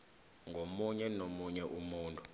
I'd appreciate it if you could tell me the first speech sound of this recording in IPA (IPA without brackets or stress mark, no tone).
ŋ